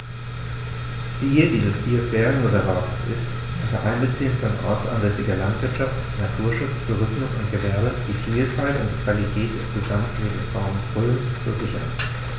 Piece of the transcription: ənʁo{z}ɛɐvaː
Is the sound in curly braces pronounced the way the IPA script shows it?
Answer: yes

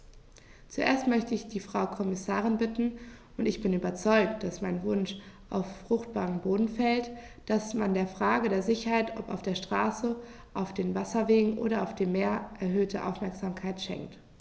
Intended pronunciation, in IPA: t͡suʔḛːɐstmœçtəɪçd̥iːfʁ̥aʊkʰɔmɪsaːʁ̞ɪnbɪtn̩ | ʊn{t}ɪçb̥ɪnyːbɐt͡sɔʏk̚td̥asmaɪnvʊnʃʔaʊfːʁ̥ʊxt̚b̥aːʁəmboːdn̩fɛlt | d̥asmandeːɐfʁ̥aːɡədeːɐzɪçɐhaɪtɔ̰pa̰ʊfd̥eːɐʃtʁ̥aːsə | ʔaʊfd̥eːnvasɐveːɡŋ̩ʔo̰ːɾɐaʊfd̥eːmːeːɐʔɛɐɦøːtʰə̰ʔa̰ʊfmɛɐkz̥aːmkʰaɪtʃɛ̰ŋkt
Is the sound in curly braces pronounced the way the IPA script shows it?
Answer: yes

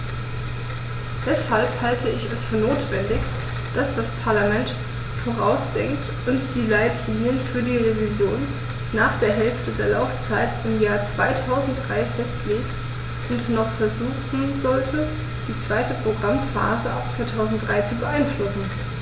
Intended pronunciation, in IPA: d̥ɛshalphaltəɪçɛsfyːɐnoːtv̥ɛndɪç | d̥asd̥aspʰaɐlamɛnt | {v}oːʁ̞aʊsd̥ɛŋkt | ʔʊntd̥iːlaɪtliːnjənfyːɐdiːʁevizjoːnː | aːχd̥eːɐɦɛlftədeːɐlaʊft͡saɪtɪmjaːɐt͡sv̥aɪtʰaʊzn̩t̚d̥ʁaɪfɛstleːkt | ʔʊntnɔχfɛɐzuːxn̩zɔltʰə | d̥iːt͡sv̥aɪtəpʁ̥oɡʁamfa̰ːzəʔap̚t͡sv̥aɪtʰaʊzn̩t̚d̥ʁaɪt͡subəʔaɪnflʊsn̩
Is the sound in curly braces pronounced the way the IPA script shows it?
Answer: no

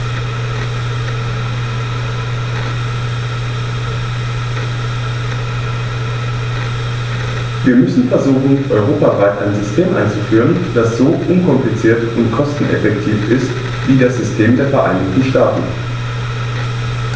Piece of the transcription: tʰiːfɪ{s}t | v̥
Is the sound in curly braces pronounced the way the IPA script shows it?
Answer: yes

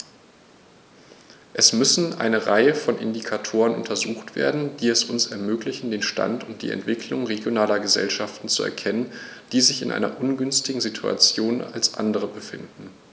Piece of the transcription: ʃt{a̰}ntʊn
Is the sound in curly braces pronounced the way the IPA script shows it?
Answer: yes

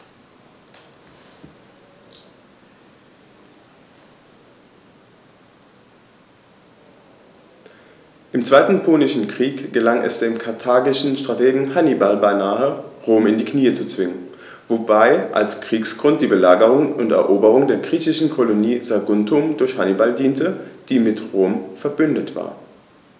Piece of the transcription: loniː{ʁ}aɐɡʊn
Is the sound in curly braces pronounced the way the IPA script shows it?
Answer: no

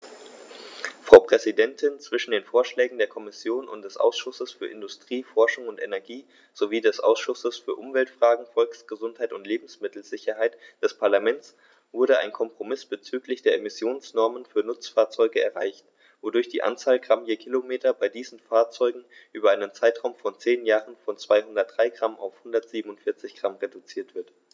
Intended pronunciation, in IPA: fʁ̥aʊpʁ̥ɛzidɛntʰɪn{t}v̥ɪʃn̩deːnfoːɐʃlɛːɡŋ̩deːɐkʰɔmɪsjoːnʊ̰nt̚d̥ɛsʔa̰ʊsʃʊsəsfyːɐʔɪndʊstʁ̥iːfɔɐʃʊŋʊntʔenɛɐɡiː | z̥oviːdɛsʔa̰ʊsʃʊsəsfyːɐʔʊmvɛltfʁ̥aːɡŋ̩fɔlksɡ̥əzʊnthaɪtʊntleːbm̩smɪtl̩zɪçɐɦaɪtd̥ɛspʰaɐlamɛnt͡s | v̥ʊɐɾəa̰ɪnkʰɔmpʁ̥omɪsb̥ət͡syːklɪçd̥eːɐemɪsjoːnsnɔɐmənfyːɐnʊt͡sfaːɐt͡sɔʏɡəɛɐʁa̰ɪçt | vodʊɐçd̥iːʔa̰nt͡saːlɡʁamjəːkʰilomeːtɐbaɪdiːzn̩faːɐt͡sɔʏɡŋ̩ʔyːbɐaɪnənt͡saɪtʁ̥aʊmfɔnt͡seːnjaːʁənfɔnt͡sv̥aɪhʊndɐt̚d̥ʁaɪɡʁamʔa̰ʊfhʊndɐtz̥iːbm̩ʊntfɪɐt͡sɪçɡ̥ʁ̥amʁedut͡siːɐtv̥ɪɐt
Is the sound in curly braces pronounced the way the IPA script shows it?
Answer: no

